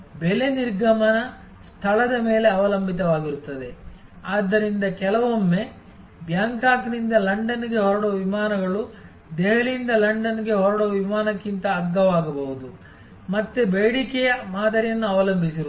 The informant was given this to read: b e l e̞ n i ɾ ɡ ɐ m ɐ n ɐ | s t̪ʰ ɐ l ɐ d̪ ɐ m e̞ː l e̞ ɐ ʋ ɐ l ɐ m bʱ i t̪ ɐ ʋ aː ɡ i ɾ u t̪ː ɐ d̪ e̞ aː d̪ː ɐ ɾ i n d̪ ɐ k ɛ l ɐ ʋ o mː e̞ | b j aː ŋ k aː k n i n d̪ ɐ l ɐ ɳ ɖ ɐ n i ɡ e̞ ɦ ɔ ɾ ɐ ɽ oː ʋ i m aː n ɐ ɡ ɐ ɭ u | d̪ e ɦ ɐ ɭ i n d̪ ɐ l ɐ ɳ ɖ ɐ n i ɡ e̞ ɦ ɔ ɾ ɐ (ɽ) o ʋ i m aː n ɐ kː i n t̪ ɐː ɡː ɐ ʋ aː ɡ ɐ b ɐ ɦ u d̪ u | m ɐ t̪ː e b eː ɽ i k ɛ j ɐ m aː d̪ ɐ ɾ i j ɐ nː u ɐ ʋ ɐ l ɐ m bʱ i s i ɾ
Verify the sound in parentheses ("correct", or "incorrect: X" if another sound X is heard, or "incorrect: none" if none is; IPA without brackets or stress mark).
correct